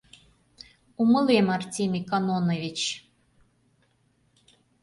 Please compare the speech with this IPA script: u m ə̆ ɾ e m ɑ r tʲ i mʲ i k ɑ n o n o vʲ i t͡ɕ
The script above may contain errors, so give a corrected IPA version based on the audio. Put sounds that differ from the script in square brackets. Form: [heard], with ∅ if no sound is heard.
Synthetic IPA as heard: u m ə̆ [l] e m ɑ r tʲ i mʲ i k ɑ n o n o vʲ i t͡ɕ